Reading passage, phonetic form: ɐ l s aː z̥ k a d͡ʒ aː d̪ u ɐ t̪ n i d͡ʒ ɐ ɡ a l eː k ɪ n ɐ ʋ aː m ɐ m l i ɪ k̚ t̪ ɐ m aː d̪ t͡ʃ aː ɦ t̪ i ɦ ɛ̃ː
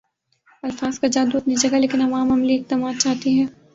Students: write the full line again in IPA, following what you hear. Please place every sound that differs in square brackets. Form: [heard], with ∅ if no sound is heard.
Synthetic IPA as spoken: ɐ l [f] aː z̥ k a d͡ʒ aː d̪ u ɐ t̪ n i d͡ʒ ɐ ɡ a l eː k ɪ n ɐ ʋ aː m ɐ m l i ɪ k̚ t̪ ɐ m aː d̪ t͡ʃ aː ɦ t̪ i ɦ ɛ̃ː